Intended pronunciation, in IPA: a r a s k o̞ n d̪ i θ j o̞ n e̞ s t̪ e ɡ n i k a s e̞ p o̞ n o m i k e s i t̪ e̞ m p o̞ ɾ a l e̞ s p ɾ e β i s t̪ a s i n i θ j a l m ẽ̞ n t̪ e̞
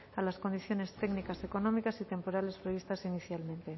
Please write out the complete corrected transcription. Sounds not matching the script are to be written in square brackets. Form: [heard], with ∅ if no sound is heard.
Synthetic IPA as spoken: a [l] a s k o̞ n d̪ i θ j o̞ n e̞ s t̪ e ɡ n i k a s e̞ [k] o̞ n o m i k [a] s i t̪ e̞ m p o̞ ɾ a l e̞ s p ɾ e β i s t̪ a s i n i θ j a l m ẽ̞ n t̪ e̞

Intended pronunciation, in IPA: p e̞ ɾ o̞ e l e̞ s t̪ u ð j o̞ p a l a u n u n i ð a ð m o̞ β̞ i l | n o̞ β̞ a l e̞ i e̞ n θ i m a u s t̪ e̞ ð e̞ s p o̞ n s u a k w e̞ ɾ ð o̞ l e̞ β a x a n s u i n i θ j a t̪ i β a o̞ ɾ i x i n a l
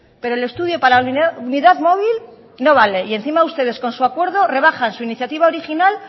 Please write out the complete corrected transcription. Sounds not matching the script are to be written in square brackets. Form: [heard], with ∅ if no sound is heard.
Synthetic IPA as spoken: p e̞ ɾ o̞ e l e̞ s t̪ u ð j o̞ p a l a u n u n i ð a ð m o̞ β̞ i l | n o̞ β̞ a l e̞ i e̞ n θ i m a u s t̪ e̞ ð e̞ s [k] o̞ n s u a k w e̞ ɾ ð o̞ [r] e̞ β a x a n s u i n i θ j a t̪ i β a o̞ ɾ i x i n a l

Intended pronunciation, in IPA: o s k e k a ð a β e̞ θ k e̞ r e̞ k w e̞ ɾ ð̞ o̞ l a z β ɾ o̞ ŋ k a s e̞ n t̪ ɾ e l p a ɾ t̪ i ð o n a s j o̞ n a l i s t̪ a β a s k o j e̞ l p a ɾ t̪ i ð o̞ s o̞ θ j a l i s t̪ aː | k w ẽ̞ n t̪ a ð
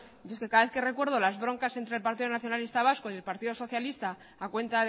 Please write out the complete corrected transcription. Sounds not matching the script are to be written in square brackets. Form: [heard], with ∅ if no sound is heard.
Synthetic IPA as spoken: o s k e k a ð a β e̞ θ k e̞ r e̞ k w e̞ ɾ ð̞ o̞ l a z β ɾ o̞ ŋ k a s e̞ n t̪ ɾ e l p a ɾ t̪ i ð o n a [θ] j o̞ n a l i s t̪ a β a s k o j e̞ l p a ɾ t̪ i ð o̞ s o̞ θ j a l i s t̪ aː | k w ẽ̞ n t̪ a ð

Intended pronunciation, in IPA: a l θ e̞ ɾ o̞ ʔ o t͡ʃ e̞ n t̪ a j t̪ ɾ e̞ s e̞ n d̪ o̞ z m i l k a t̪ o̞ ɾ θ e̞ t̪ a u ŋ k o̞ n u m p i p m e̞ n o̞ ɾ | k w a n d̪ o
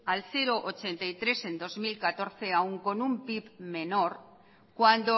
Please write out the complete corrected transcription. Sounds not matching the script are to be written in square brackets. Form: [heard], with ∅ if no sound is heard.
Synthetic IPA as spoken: a l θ e̞ ɾ o̞ ʔ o t͡ʃ e̞ n t̪ a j t̪ ɾ e̞ s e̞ n d̪ o̞ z m i l k a t̪ o̞ ɾ θ e̞ [∅] a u ŋ k o̞ n u m p i p m e̞ n o̞ ɾ | k w a n d̪ o

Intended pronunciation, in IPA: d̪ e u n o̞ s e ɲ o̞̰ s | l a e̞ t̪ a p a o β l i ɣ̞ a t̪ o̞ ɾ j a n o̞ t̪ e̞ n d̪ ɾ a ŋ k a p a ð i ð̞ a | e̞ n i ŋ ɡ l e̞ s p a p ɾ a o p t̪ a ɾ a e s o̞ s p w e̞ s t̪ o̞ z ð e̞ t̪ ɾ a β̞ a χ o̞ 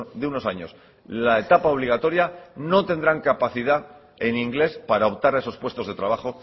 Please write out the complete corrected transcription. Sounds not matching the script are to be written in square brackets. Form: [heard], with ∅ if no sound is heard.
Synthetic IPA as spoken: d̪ e u n o̞ s [a] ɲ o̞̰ s | l a e̞ t̪ a p a o β l i ɣ̞ a t̪ o̞ ɾ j a n o̞ t̪ e̞ n d̪ ɾ a ŋ k a p a [θ] i ð̞ a | e̞ n i ŋ ɡ l e̞ s p a [∅] ɾ a o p t̪ a ɾ a e s o̞ s p w e̞ s t̪ o̞ z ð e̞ t̪ ɾ a β̞ a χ o̞

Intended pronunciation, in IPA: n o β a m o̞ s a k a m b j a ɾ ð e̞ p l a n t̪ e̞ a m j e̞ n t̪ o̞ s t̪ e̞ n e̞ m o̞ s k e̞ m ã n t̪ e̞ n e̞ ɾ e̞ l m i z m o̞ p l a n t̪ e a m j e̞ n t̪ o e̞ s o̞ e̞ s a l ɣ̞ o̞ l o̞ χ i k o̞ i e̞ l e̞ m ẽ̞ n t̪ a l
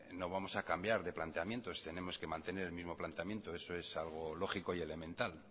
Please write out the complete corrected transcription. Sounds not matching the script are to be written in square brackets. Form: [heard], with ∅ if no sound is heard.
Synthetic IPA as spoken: n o β a m o̞ s a k a m b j a ɾ ð e̞ p l a n t̪ e̞ a m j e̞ n t̪ o̞ s t̪ e̞ n e̞ m o̞ s k e̞ m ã n t̪ e̞ n e̞ ɾ e̞ l m i z m o̞ p l a n t̪ e a m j e̞ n t̪ o e̞ s o̞ e̞ s a l ɣ̞ o̞ l o̞ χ i k o̞ i e̞ l e̞ m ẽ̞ n t̪ a l

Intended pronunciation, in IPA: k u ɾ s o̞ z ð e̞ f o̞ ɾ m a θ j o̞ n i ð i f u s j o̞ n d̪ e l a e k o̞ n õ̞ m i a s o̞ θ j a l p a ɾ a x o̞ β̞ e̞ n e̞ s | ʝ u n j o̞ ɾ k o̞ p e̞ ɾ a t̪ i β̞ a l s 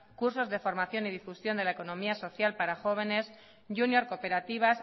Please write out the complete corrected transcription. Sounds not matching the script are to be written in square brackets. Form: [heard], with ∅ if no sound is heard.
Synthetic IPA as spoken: k u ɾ s o̞ z ð e̞ f o̞ ɾ m a θ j o̞ n i ð i f u s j o̞ n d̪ e l a e k o̞ n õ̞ m i a s o̞ θ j a l p a ɾ a x o̞ β̞ e̞ n e̞ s | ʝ u n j o̞ ɾ k o̞ p e̞ ɾ a t̪ i β̞ a [∅] s

